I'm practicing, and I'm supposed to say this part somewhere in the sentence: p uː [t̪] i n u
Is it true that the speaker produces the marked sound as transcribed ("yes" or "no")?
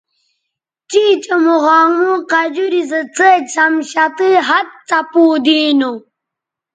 no